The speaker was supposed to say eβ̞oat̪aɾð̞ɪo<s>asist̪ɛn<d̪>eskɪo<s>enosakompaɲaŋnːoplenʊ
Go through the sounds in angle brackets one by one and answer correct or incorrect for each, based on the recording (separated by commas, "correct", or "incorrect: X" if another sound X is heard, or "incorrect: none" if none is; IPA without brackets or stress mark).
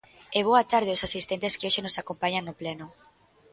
correct, incorrect: t̪, incorrect: ʃ